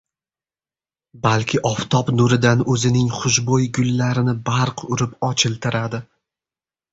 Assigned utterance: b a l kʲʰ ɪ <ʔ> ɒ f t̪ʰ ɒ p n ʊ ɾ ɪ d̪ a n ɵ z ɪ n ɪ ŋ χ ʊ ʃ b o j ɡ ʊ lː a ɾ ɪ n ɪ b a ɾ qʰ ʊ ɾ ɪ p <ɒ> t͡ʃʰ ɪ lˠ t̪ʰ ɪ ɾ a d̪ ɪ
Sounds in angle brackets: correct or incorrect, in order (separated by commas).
correct, correct